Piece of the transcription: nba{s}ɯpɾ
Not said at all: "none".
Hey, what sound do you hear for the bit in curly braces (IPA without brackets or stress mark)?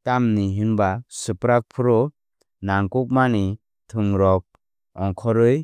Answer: s